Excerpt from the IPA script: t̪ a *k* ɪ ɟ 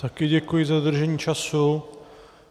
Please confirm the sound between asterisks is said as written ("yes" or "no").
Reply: yes